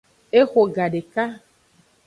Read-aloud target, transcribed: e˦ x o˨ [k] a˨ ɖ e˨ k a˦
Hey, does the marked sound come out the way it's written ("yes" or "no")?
no